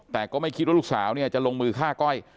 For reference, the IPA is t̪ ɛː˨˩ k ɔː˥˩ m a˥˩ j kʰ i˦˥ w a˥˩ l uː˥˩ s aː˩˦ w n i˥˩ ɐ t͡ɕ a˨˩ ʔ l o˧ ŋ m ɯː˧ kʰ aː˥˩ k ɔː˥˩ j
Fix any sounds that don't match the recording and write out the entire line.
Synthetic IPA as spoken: t̪ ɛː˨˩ k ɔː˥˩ m a˥˩ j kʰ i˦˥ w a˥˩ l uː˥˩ s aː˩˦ w n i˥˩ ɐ t͡ɕ a˨˩ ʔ l o˧ ŋ m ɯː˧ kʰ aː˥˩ k ɔ˥˩ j